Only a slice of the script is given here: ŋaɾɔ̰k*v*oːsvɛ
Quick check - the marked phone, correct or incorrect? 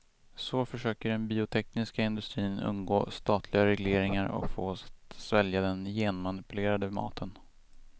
incorrect